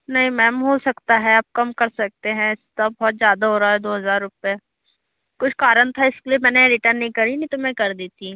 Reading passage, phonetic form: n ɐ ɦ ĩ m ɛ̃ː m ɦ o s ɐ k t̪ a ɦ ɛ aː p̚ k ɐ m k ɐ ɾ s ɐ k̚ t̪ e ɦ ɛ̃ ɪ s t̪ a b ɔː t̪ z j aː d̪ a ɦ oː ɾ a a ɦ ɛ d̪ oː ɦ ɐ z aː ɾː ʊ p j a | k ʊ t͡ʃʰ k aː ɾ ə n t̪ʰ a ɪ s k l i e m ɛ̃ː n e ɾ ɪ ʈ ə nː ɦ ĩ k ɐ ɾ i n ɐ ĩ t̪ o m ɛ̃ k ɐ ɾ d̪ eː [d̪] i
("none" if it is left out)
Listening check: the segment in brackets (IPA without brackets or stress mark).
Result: t̪